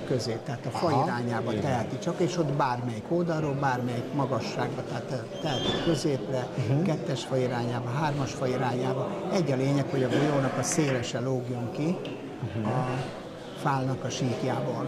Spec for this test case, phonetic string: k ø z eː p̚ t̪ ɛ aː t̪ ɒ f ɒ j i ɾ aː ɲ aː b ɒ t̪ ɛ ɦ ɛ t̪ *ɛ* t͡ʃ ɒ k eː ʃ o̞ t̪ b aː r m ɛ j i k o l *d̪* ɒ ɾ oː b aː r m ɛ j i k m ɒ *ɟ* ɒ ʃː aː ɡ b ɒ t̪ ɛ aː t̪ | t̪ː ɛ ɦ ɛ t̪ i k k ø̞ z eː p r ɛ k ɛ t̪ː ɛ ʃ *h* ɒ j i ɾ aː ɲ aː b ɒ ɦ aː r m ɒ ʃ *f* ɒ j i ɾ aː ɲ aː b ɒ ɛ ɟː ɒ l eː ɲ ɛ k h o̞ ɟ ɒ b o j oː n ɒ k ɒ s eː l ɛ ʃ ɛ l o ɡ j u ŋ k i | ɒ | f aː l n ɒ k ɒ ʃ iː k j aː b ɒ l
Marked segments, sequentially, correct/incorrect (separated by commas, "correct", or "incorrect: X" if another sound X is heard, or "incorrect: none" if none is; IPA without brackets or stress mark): incorrect: i, correct, incorrect: ɡ, incorrect: f, correct